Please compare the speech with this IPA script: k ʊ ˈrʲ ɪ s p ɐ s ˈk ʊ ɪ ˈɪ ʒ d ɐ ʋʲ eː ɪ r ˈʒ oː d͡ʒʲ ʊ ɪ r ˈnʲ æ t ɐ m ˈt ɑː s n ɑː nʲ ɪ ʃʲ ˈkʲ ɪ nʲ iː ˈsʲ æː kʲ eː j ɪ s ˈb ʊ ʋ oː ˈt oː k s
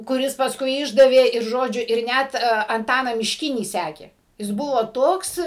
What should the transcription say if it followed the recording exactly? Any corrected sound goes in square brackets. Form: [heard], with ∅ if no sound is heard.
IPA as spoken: k ʊ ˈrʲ ɪ s p ɐ s ˈk ʊ ɪ ˈɪ ʒ d ɐ ʋʲ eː ɪ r ˈʒ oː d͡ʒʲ ʊ ɪ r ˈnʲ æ t ɐ [n] ˈt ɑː [∅] n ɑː [mʲ] ɪ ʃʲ ˈkʲ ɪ nʲ iː ˈsʲ æː kʲ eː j ɪ s ˈb ʊ ʋ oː ˈt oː k s